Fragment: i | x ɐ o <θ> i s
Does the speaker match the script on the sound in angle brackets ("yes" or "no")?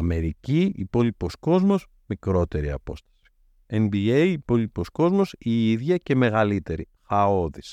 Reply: no